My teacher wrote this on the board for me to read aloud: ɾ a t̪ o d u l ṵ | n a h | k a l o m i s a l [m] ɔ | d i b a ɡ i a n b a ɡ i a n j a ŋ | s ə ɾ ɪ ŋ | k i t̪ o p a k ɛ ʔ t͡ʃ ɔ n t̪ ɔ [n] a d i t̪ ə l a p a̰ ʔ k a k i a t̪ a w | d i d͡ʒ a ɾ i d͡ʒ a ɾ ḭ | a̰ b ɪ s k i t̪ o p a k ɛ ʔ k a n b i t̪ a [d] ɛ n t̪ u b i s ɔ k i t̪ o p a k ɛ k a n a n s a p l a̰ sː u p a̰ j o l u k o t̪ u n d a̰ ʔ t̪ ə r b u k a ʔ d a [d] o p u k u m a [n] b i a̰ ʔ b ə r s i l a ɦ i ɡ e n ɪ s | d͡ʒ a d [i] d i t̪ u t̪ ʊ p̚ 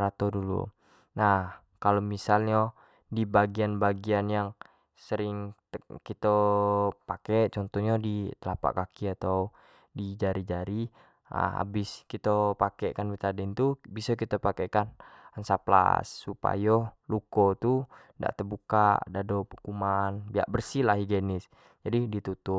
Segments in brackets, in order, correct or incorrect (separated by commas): incorrect, incorrect, correct, correct, correct, correct